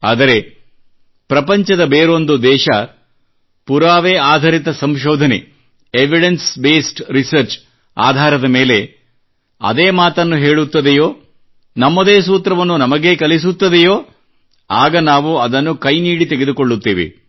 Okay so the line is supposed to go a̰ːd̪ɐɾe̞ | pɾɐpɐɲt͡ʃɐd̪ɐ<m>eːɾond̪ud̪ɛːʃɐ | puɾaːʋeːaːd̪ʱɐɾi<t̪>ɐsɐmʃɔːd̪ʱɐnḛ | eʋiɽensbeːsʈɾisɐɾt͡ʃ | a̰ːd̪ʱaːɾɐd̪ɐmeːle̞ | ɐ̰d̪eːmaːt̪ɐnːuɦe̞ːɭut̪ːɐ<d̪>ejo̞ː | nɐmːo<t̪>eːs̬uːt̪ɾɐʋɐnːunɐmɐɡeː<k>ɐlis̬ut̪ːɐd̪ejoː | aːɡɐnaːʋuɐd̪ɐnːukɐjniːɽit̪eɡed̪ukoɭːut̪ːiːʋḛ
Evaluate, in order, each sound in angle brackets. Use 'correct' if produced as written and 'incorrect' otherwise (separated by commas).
incorrect, correct, correct, incorrect, correct